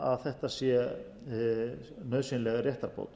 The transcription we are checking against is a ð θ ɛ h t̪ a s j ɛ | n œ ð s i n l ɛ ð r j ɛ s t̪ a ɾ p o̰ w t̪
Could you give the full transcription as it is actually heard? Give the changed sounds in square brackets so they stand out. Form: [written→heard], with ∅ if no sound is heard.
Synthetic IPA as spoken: a ð θ ɛ h t̪ a s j ɛ | n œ ð s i n l ɛ [ð→ɣ] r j ɛ [s→h] t̪ a ɾ p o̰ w t̪